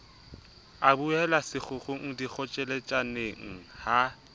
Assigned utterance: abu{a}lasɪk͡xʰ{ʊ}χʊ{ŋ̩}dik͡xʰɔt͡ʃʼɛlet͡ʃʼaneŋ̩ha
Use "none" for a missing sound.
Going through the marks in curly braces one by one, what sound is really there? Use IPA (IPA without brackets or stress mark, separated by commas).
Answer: ɛ, ʊ, ŋ̩